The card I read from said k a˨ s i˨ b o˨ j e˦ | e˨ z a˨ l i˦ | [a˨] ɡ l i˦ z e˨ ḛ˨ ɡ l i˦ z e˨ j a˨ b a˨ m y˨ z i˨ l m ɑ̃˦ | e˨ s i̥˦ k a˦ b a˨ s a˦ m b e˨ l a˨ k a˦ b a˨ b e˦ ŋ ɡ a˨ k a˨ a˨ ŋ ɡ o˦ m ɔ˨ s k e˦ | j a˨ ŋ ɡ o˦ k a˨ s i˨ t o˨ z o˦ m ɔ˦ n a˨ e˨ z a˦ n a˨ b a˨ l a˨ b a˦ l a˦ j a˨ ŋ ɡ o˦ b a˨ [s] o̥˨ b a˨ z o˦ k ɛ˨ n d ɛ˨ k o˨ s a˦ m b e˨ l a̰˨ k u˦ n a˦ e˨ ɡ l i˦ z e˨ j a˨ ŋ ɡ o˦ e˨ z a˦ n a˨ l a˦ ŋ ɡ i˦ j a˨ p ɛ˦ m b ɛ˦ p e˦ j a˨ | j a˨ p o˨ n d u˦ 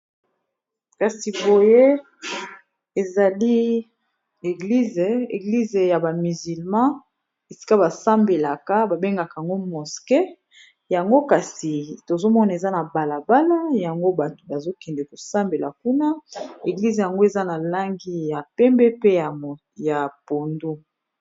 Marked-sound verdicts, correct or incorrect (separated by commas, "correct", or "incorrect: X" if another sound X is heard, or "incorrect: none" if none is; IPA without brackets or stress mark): incorrect: e˨, incorrect: t